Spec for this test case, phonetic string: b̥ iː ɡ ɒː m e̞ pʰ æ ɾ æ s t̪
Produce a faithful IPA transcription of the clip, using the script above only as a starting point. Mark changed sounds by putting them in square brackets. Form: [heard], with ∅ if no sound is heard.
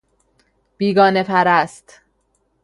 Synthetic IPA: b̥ iː ɡ ɒː [n] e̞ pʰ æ ɾ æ s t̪

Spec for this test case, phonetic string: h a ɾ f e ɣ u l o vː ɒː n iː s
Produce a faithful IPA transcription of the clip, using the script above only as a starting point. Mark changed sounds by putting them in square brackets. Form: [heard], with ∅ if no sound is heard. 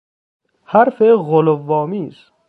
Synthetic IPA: h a ɾ f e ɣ [o] l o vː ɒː [m] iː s

